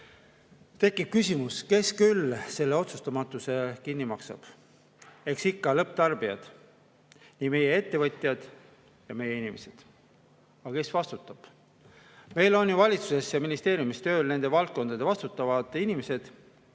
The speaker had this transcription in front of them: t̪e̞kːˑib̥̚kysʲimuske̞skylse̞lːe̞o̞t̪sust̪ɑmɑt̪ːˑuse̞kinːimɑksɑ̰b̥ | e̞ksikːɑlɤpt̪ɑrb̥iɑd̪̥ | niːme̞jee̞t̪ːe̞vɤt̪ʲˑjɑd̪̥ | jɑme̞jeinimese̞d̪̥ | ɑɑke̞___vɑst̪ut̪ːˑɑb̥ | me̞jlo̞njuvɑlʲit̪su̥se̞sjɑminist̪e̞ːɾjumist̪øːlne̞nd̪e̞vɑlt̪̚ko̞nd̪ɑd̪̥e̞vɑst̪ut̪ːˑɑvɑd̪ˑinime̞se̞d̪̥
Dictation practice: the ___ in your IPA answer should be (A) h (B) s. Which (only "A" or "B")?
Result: B